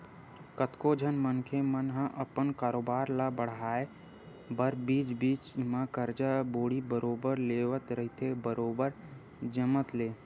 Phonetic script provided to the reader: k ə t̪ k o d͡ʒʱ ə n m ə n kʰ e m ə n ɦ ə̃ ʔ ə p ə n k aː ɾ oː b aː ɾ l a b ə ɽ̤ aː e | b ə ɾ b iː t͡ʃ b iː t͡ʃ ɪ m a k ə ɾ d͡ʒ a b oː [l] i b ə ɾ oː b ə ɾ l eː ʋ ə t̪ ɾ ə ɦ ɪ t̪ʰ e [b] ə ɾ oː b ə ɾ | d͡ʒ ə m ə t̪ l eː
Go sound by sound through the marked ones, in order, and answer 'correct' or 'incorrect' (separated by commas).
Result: incorrect, correct